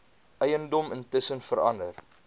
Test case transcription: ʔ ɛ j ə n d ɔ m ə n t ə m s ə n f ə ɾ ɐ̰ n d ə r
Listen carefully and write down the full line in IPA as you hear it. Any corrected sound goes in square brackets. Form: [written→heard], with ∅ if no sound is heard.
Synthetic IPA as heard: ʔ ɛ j ə n d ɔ m ə n t ə [m→∅] s ə n f ə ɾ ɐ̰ n d ə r